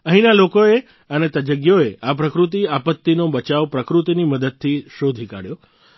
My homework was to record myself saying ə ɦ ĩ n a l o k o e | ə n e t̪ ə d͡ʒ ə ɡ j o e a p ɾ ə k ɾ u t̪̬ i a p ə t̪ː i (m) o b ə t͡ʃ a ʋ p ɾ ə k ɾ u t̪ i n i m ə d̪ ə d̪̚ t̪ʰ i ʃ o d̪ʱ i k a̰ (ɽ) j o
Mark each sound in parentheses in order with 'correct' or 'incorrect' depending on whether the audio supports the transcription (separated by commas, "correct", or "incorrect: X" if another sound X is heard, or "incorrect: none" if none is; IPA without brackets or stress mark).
incorrect: n, correct